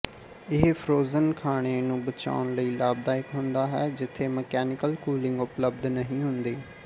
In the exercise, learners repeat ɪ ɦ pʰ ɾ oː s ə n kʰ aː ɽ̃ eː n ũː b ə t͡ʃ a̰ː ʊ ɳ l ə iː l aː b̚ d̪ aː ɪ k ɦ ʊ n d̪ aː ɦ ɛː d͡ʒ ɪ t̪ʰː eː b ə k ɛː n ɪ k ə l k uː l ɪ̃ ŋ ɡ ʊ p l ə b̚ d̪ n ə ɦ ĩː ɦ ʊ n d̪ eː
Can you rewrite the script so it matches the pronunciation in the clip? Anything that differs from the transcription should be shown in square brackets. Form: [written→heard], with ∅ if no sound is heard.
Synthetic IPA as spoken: ɪ ɦ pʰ ɾ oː [s→z] ə n kʰ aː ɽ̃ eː n ũː b ə t͡ʃ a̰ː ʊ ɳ l ə iː l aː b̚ d̪ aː ɪ k ɦ ʊ n d̪ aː ɦ ɛː d͡ʒ ɪ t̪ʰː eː [b→m] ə k ɛː n ɪ k ə l k uː l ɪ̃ ŋ ɡ ʊ p l ə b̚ d̪ n ə ɦ ĩː ɦ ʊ n d̪ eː